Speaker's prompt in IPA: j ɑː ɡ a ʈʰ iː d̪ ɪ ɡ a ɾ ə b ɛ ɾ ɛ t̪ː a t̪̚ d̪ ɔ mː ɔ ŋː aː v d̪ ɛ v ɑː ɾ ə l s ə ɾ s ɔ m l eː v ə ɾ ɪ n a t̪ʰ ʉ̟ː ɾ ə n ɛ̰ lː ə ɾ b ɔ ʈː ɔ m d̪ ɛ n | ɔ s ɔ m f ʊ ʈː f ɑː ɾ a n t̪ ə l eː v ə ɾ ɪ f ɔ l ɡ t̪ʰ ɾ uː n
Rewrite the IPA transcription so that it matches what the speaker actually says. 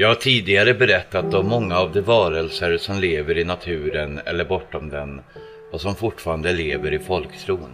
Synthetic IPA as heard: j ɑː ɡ a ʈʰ iː d̪ ɪ ɡ a ɾ ə b ɛ ɾ ɛ t̪ː a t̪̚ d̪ ɔ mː ɔ ŋː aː v d̪ ɛ v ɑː ɾ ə l s ə ɾ s ɔ m l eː v ə ɾ ɪ n a t̪ʰ ʉ̟ː ɾ ə n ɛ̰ lː ə ɾ b ɔ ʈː ɔ m d̪ ɛ n | ɔ s ɔ m f ʊ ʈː f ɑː ɾ a n d̪ ə l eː v ə ɾ ɪ f ɔ l k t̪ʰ ɾ uː n